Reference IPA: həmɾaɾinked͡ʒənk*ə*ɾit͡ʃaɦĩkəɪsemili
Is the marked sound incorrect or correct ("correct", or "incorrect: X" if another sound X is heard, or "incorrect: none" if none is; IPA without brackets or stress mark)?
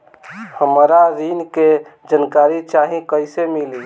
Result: incorrect: a